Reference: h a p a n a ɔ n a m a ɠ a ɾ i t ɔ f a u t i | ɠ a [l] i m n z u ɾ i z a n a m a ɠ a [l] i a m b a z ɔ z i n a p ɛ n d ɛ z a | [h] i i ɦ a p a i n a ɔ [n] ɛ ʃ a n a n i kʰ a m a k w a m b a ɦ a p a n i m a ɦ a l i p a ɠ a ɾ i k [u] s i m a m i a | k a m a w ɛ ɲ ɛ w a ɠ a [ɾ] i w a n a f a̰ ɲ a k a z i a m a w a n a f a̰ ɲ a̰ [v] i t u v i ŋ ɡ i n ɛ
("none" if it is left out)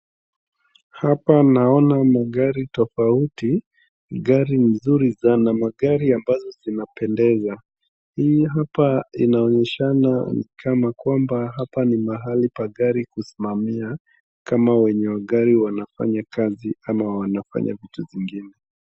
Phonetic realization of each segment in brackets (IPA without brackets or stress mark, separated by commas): ɾ, ɾ, h, ɲ, u, ɾ, v